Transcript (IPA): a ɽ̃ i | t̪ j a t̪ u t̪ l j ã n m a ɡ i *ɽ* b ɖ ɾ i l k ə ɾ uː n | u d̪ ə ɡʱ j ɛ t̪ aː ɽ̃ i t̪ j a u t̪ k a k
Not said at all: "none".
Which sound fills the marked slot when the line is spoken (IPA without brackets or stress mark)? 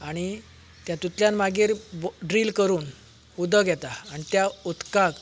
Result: ɾ